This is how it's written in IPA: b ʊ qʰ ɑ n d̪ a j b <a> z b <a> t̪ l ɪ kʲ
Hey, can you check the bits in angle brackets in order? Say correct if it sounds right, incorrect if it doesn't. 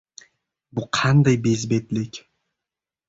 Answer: incorrect: e, incorrect: e

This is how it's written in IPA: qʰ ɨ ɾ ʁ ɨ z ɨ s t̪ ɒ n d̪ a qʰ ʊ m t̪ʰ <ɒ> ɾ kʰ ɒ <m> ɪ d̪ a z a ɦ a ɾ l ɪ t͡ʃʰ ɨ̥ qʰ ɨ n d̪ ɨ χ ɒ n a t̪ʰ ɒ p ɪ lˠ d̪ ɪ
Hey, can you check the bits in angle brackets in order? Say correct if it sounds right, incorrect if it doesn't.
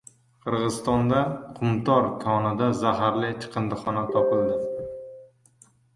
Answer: correct, incorrect: n

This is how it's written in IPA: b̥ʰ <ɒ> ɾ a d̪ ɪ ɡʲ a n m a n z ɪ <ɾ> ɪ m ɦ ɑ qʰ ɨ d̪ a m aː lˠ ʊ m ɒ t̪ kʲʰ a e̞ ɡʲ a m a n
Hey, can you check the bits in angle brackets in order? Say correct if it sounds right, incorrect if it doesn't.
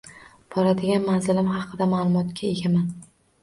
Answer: correct, incorrect: l

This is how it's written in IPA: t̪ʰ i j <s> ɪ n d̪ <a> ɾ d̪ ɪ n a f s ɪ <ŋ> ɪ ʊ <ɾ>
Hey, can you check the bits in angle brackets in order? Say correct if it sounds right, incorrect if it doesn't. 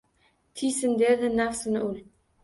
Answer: correct, incorrect: e, incorrect: n, incorrect: l

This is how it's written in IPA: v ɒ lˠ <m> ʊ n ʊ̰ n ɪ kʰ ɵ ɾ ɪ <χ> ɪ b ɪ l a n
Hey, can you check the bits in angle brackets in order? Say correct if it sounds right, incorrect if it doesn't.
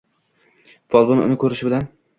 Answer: incorrect: b, incorrect: ʃ

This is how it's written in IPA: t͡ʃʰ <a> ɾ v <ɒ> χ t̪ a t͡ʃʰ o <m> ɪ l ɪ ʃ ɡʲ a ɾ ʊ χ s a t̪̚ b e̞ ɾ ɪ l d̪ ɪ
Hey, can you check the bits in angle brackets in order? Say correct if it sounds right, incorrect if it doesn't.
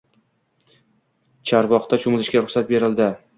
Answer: correct, correct, correct

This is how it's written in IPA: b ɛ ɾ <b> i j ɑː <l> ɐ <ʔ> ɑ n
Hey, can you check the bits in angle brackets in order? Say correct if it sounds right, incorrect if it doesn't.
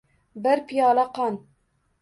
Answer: incorrect: p, correct, incorrect: q

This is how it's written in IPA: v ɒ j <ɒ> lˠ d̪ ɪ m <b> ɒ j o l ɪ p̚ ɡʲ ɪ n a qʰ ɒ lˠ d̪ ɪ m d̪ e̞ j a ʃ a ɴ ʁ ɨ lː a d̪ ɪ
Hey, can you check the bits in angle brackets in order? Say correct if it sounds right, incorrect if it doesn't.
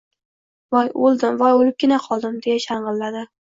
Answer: incorrect: o, incorrect: v

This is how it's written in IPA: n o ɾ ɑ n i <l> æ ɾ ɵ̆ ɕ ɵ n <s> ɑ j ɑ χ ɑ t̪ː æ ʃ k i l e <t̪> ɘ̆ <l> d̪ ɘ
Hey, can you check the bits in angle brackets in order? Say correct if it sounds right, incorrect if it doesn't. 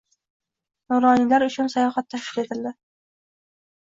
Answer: correct, correct, correct, correct

